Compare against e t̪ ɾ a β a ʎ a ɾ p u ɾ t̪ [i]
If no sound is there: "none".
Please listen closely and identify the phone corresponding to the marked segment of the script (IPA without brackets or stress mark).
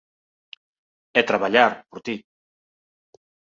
i